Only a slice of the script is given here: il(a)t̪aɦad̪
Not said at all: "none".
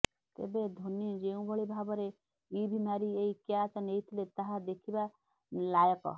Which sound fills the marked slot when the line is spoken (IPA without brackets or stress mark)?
e